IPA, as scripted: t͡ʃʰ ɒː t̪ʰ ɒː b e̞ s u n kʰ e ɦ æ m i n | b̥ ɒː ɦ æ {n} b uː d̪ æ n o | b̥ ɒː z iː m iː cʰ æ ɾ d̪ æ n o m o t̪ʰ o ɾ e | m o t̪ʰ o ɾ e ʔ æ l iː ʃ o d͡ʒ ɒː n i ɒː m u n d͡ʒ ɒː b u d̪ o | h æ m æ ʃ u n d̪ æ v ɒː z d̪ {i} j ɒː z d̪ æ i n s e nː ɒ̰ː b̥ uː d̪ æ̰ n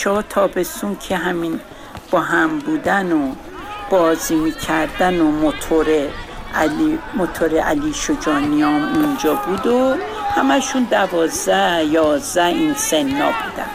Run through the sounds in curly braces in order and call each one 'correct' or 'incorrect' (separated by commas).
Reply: incorrect, incorrect